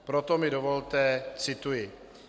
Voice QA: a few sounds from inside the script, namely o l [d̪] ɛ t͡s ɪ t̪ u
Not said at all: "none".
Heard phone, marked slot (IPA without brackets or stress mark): t̪